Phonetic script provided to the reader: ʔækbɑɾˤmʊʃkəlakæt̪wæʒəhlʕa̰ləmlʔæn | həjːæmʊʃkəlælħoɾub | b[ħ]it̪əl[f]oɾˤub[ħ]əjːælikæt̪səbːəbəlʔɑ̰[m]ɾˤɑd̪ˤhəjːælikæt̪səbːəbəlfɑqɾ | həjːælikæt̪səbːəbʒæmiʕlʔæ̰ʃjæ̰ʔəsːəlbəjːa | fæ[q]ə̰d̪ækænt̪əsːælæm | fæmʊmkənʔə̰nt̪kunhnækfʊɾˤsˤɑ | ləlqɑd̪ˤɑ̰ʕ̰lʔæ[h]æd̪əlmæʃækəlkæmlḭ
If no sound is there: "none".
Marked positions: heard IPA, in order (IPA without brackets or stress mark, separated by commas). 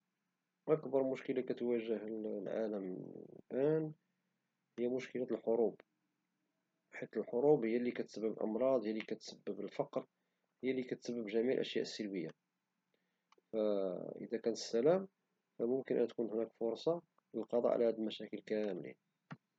ħ, ħ, h, m, ʔ, h